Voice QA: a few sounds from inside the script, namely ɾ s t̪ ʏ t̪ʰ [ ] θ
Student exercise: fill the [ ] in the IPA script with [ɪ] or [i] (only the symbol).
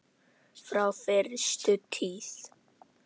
i